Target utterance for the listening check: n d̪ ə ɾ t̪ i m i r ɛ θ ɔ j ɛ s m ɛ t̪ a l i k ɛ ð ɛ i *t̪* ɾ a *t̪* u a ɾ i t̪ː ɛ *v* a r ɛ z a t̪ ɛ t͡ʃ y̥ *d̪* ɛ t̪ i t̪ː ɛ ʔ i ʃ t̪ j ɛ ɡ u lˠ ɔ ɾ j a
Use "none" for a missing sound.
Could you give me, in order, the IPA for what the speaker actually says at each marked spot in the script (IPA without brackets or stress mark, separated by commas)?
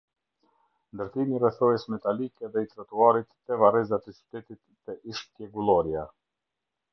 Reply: t̪, t̪, v, t̪